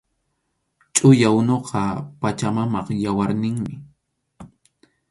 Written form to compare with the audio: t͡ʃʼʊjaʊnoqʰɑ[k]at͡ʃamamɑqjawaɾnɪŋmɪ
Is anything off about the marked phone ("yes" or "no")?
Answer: yes